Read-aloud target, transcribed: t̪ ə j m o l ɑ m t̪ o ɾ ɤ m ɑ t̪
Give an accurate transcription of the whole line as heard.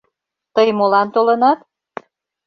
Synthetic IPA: t̪ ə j m o l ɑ n t̪ o l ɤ n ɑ t̪